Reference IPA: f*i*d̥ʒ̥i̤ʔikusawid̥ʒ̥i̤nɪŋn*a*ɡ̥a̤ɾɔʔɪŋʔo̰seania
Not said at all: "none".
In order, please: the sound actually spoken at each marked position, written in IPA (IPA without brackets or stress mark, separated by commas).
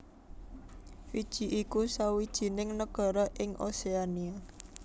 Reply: i, ə